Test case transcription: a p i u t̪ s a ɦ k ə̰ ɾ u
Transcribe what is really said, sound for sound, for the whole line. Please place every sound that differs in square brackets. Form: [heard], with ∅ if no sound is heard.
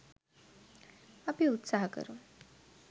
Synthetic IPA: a p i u t̪ s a ɦ k ə̰ ɾ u